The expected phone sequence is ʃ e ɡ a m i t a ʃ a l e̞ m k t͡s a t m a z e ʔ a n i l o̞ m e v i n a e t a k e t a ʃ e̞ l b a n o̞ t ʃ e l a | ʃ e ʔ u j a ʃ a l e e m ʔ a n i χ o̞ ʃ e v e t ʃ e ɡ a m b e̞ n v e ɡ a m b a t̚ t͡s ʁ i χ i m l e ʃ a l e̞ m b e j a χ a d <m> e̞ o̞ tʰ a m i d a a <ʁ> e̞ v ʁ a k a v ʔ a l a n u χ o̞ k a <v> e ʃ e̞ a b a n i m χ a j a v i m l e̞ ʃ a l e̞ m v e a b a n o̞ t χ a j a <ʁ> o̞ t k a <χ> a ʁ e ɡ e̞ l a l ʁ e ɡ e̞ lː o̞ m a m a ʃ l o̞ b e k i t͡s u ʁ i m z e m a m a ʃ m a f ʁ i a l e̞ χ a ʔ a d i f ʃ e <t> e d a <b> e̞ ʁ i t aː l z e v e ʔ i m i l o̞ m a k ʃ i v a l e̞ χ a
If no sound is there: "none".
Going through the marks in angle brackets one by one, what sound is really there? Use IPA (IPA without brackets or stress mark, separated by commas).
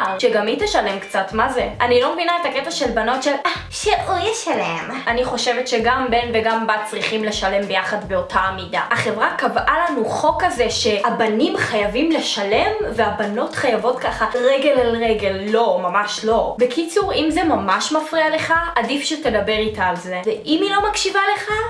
b, χ, z, v, χ, t, b